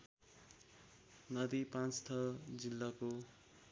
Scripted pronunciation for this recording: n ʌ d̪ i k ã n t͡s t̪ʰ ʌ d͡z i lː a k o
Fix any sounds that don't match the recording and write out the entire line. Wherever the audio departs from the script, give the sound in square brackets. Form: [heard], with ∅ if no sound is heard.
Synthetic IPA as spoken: n ʌ d̪ i [p] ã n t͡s t̪ʰ ʌ d͡z i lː a k o